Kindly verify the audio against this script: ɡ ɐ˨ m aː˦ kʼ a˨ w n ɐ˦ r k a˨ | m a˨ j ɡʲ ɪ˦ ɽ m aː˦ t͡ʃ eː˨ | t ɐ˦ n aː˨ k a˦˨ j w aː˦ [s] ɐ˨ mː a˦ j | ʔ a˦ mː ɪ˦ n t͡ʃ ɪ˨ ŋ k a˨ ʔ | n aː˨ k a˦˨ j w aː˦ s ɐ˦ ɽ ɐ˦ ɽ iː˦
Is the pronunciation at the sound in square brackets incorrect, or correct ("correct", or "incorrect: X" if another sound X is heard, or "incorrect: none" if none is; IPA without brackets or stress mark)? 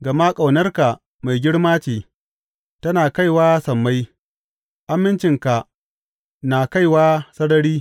correct